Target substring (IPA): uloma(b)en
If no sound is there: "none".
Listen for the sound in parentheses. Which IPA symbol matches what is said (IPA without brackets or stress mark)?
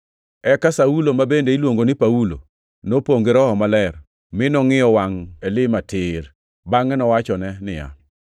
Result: b